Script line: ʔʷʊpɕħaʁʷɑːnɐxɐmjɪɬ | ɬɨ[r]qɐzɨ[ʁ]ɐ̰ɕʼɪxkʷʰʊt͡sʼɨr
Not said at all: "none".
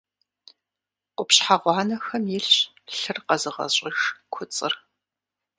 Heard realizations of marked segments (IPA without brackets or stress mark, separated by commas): r, ʁ